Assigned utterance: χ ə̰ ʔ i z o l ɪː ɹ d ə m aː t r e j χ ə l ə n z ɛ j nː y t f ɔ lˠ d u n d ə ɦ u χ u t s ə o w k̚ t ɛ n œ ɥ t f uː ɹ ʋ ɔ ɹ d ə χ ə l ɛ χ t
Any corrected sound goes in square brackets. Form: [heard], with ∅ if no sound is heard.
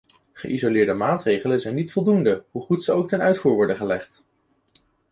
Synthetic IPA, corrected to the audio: χ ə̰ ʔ i z o l ɪː ɹ d ə m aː t r e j χ ə l ə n z ɛ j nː [i] t f ɔ lˠ d u n d ə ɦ u χ u t s ə o w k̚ t ɛ n œ ɥ t f uː ɹ ʋ ɔ ɹ d ə χ ə l ɛ χ t